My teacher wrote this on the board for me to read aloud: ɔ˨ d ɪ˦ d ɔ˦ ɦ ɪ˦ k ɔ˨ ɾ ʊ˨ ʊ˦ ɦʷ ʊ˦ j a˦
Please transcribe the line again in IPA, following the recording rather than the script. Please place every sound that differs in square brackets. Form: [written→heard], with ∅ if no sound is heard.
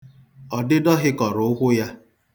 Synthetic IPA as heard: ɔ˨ d ɪ˦ d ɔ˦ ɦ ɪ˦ k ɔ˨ ɾ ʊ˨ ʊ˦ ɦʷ ʊ˦ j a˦